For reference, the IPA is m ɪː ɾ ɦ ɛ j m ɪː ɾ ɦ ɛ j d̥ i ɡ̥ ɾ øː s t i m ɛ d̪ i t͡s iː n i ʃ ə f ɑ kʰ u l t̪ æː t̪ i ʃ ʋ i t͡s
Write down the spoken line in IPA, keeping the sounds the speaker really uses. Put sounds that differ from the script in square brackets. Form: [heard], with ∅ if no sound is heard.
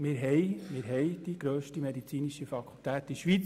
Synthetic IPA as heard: m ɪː ɾ ɦ ɛ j m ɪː ɾ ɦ ɛ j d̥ i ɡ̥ ɾ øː [ʃ] t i m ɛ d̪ i t͡s iː n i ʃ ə f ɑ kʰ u l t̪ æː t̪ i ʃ ʋ i t͡s